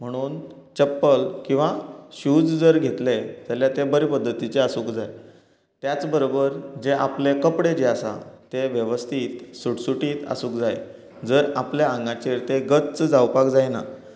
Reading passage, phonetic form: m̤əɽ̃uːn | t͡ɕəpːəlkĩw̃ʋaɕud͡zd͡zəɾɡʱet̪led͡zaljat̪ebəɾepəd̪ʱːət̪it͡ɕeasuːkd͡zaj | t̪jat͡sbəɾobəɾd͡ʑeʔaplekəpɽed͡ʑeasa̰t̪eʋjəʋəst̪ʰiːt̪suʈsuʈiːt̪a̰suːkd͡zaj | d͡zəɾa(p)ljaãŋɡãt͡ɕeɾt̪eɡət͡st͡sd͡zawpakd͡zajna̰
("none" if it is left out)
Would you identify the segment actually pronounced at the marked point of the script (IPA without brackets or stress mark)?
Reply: p